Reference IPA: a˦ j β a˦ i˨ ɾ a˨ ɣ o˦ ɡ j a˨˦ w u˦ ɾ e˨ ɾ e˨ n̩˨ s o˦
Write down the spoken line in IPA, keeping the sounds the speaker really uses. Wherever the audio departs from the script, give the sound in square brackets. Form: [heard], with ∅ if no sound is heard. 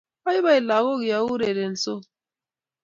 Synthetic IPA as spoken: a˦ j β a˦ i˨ [l] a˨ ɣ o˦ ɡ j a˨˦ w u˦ ɾ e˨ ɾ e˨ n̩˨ s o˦